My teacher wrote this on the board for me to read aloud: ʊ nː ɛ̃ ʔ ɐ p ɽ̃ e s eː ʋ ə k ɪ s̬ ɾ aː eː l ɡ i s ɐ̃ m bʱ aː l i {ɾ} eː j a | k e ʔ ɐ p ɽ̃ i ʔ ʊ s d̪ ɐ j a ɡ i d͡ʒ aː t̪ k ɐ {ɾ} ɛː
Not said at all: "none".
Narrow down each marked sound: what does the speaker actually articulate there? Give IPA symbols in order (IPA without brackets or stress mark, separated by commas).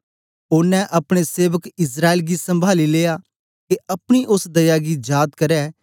l, ɾ